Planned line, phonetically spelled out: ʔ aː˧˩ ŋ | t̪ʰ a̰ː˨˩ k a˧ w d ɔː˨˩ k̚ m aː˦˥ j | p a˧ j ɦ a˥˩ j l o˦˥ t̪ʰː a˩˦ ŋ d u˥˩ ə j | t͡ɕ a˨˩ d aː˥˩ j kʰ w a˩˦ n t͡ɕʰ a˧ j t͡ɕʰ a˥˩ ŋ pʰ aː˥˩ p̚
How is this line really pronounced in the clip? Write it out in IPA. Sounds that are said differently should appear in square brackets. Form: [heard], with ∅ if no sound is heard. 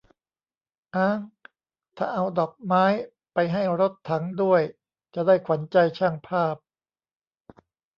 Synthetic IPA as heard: ʔ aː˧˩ ŋ | t̪ʰ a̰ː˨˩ [ʔ] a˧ w d ɔː˨˩ k̚ m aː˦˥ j | p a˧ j ɦ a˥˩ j [ɾ] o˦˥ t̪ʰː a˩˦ ŋ d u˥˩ ə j | t͡ɕ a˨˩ d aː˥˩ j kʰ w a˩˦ n [t͡ɕ] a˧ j t͡ɕʰ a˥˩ ŋ pʰ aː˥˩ p̚